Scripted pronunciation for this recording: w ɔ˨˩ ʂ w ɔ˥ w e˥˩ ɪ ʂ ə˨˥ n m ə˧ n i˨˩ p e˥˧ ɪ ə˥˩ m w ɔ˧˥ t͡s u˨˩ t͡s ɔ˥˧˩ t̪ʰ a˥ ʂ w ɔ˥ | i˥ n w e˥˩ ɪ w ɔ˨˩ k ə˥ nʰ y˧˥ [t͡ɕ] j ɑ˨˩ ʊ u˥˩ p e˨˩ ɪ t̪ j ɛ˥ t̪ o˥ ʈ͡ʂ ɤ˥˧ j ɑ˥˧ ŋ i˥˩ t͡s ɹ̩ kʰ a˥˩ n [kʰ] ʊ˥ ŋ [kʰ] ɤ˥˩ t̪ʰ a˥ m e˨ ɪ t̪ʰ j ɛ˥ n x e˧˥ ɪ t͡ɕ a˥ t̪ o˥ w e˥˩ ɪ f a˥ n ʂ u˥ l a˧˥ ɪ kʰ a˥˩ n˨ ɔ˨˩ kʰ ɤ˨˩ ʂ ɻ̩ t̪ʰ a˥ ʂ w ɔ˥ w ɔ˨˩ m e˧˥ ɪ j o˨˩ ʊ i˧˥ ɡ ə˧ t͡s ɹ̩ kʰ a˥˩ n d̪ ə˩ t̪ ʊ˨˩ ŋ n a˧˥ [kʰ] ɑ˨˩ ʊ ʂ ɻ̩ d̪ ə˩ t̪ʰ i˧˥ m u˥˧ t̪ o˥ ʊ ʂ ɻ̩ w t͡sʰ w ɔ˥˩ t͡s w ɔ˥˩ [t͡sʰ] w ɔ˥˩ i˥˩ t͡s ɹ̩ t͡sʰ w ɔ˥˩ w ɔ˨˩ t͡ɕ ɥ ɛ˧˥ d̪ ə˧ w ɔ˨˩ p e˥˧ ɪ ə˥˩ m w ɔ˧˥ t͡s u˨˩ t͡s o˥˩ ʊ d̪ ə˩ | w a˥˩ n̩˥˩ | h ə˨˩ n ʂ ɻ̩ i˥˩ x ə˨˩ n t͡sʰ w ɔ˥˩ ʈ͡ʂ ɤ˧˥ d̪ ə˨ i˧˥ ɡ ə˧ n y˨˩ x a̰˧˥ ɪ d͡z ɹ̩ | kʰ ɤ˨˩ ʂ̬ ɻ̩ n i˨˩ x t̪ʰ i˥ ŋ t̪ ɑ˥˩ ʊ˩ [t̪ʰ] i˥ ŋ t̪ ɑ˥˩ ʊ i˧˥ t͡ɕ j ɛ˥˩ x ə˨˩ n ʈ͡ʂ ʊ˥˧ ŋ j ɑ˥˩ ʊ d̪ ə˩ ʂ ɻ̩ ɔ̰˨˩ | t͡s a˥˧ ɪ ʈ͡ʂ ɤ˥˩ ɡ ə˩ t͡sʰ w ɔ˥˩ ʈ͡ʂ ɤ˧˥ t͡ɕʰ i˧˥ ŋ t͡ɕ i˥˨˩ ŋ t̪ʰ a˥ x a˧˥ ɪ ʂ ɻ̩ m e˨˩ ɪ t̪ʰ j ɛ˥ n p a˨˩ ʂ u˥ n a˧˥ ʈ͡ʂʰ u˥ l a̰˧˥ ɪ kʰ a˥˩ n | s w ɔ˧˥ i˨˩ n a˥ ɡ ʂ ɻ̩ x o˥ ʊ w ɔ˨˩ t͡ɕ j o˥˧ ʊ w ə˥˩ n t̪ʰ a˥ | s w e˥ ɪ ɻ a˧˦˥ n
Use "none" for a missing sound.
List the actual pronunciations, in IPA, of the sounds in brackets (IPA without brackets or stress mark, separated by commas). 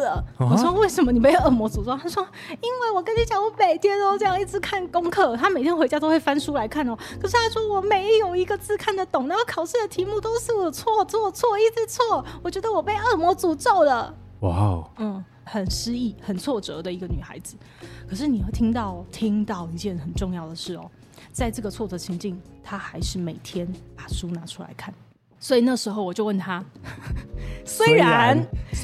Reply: t͡ɕ, k, kʰ, kʰ, t͡sʰ, t̪ʰ